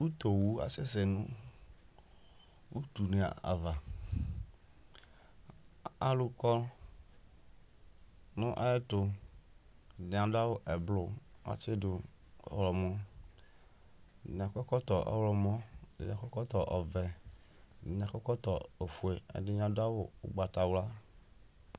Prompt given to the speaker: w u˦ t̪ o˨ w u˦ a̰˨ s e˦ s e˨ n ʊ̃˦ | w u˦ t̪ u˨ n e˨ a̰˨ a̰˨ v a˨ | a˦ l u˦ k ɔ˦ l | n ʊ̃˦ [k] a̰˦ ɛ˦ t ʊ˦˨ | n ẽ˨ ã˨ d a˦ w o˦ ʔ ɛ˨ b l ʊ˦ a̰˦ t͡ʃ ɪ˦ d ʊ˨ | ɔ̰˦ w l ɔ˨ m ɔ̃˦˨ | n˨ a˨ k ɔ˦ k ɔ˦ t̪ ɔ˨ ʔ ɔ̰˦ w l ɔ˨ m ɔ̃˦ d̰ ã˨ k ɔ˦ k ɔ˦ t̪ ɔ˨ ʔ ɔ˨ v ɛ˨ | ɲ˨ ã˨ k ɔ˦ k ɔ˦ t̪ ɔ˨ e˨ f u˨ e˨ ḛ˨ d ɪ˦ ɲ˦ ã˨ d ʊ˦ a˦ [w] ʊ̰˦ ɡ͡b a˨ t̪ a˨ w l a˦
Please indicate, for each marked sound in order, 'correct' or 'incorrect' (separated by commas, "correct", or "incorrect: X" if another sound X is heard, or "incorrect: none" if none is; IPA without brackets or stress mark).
incorrect: ʔ, correct